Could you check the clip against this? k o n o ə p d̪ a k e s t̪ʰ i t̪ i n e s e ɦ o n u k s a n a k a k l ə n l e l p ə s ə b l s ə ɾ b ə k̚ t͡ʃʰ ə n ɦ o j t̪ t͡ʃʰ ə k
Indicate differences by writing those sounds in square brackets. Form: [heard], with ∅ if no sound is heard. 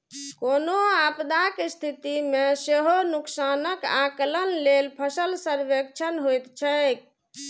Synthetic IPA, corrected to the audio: k o n o [a] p d̪ a k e s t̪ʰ i t̪ i [m] e s e ɦ o n u k s a n [ə] k a k l ə n l e l [pʰ] ə s ə [∅] l s ə ɾ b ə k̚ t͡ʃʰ ə n ɦ o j t̪ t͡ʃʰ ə k